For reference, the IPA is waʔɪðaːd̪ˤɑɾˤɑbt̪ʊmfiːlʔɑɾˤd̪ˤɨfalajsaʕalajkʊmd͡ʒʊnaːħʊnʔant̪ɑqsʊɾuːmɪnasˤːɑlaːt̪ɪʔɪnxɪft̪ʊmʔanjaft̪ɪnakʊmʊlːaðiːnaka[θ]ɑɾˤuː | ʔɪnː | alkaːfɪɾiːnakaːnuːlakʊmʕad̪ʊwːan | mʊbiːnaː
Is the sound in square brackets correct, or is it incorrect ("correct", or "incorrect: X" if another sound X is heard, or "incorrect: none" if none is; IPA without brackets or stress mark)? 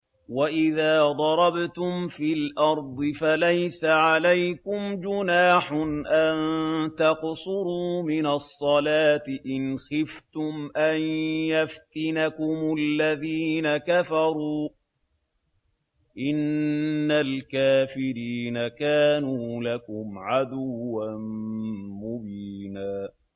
incorrect: f